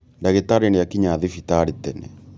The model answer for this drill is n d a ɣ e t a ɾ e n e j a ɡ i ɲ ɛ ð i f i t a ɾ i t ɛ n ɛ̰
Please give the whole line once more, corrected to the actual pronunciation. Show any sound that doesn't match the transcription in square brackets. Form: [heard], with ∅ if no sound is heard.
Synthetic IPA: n d a ɣ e t a ɾ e n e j a [k] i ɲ [a] ð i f i t a ɾ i t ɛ n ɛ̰